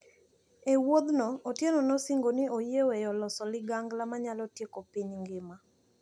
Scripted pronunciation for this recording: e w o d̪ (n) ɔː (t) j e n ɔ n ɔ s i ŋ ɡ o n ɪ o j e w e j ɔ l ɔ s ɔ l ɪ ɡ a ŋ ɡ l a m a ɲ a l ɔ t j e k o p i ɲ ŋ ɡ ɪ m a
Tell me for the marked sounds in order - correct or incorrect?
correct, correct

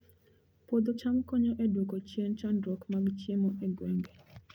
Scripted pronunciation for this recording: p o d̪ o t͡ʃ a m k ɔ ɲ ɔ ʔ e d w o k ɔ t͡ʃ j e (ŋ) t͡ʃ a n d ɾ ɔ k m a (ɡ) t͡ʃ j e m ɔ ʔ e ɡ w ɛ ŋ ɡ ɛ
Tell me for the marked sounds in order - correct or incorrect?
incorrect: n, correct

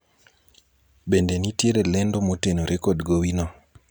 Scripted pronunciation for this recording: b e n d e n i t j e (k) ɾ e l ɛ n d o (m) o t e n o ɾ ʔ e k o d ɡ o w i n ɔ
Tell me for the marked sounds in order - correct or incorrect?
incorrect: none, correct

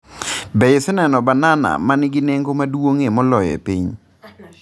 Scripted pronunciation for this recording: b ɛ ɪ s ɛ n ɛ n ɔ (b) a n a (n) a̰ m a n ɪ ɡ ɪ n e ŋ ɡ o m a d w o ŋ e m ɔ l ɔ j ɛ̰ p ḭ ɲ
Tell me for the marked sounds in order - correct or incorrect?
correct, correct

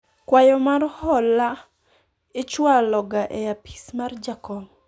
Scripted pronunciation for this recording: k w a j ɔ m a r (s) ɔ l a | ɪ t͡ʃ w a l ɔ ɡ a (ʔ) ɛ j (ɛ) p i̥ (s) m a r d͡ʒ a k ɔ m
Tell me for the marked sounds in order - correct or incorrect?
incorrect: h, correct, incorrect: a, correct

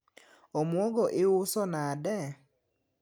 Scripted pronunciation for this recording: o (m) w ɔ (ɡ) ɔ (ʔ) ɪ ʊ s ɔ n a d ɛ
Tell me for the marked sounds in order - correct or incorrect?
correct, correct, correct

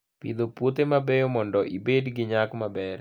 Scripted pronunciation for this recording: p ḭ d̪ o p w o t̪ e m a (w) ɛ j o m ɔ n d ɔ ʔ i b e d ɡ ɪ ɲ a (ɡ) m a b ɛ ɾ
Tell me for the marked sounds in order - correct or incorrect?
incorrect: b, incorrect: k

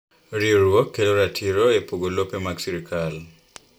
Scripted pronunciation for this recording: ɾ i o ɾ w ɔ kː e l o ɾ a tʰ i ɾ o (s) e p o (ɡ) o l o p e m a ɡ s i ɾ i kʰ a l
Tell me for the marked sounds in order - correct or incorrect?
incorrect: none, correct

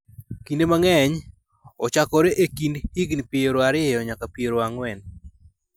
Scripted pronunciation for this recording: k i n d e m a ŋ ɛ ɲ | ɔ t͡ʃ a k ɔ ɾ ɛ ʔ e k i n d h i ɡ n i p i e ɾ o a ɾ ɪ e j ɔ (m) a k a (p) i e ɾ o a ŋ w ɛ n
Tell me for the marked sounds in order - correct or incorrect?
incorrect: ɲ, correct

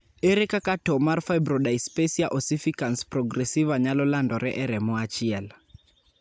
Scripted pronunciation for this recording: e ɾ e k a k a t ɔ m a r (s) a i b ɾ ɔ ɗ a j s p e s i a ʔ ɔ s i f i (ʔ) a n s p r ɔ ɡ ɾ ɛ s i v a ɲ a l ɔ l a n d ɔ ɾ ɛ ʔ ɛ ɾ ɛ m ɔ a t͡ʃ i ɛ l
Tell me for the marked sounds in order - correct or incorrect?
incorrect: f, incorrect: k

